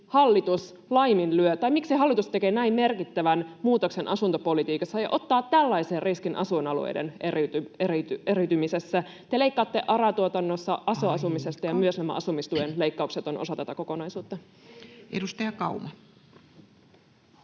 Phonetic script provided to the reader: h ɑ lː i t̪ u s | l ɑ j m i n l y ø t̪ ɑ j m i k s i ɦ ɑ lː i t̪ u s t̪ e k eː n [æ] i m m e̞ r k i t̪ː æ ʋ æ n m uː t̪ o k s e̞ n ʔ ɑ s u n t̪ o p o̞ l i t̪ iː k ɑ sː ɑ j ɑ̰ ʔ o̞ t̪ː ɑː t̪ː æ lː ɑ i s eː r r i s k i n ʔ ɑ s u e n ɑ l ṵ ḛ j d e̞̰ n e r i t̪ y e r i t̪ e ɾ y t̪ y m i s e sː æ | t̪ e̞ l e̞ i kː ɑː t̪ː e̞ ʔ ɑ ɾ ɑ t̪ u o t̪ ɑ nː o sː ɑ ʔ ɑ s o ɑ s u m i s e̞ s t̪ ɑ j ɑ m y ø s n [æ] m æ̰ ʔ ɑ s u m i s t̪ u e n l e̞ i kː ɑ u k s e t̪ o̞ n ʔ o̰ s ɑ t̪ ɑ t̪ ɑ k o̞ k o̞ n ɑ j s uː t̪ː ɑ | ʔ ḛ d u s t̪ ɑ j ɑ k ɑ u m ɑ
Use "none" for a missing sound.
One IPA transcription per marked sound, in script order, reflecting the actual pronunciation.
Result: æ, æ

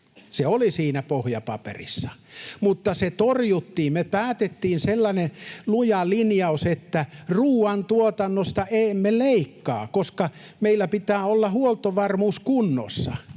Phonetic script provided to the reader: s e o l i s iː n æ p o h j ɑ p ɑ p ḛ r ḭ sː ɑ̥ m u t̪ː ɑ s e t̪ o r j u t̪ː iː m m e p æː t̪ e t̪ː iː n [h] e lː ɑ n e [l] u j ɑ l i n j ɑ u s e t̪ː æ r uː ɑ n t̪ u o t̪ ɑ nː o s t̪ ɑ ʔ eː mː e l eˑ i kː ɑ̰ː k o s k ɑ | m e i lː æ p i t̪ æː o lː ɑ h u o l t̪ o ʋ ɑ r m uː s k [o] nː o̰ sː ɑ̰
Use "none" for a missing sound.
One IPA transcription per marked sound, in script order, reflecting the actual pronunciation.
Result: s, l, u

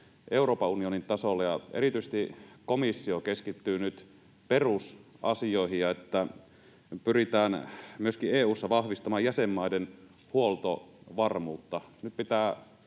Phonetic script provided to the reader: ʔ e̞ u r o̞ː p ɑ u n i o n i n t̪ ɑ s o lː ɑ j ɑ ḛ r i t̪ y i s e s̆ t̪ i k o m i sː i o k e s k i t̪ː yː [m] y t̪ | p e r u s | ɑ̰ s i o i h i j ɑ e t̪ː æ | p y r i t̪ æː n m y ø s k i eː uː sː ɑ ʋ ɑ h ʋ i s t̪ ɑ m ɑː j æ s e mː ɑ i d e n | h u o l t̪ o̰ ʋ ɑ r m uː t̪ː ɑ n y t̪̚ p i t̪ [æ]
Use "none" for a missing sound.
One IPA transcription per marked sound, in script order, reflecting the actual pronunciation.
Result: n, æː

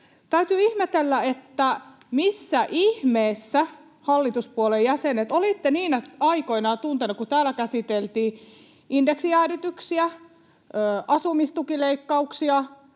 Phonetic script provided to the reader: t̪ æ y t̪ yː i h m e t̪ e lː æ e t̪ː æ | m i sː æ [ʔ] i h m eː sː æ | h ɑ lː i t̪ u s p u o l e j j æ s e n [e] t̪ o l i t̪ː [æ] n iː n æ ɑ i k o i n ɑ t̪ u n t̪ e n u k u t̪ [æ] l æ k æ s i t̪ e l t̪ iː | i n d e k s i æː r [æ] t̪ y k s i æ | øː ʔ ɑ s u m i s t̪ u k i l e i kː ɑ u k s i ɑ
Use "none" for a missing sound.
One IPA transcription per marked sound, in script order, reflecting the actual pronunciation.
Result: ʔ, e, e, æː, i

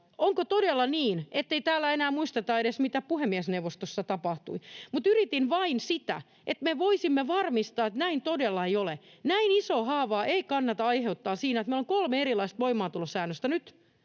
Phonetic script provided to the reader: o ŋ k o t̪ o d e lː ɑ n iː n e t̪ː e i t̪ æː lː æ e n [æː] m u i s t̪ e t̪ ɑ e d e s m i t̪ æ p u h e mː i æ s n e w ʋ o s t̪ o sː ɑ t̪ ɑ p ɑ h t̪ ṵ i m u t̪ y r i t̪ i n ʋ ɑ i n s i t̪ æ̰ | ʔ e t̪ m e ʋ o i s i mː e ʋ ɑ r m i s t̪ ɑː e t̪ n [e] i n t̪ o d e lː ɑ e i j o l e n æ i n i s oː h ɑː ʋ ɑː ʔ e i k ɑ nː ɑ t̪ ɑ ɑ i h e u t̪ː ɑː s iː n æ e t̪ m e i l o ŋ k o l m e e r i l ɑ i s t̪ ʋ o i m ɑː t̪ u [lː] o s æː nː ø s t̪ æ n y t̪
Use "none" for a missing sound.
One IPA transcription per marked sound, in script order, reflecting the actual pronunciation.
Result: æː, æ, l

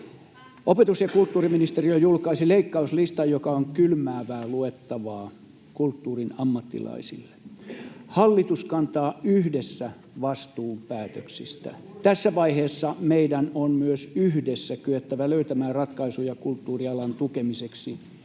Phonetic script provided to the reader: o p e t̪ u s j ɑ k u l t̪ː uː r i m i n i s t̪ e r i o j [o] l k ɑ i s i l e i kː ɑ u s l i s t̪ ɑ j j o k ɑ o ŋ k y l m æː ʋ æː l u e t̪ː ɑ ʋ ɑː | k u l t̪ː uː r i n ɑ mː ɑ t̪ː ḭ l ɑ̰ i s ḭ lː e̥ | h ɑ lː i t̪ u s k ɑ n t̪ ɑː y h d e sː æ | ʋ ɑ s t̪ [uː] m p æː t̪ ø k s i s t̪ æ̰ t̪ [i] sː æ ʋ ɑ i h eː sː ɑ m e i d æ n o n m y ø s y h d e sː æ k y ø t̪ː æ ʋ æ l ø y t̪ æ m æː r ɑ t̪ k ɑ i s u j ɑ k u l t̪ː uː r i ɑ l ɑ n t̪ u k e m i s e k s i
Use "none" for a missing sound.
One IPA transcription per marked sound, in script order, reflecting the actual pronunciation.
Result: u, uː, æ

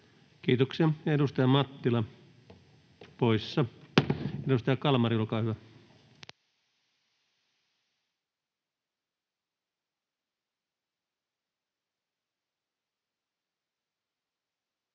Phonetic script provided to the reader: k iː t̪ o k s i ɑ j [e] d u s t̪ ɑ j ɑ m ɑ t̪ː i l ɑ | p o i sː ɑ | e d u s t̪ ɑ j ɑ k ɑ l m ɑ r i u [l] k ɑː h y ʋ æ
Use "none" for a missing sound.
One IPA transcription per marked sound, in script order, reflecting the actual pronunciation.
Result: e, l

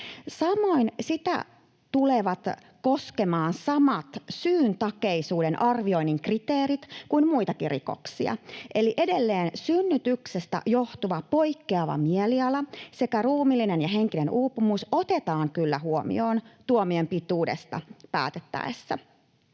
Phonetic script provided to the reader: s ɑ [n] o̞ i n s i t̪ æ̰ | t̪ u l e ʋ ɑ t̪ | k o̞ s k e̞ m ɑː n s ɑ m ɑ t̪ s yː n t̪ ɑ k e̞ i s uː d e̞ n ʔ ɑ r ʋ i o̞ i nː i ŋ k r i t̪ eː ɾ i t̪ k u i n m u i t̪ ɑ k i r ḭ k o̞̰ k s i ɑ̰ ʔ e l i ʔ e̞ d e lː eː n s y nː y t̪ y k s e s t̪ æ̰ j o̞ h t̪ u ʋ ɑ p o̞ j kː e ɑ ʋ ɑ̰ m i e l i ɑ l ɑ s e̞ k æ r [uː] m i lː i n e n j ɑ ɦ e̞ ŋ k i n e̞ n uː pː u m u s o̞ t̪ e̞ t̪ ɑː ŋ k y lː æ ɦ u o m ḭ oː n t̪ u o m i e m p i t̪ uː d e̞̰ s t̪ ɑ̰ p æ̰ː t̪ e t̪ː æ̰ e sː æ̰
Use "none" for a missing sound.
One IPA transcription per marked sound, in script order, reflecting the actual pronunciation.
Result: m, uː

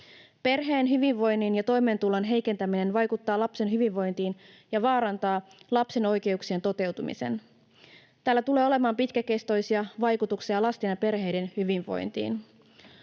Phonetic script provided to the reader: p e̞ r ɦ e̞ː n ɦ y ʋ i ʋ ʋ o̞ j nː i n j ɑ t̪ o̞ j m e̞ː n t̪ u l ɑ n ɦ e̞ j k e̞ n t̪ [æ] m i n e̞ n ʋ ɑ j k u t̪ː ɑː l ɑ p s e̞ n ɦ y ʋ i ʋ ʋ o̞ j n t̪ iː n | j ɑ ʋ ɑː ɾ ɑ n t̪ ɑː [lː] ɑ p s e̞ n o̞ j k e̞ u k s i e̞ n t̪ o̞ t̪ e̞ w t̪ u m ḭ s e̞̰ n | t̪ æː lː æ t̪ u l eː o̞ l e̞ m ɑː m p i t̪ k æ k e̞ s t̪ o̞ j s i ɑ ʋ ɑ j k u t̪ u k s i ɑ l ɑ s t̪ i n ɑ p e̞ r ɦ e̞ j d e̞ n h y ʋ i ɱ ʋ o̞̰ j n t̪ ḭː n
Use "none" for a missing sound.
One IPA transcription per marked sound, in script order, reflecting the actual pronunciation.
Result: æ, l

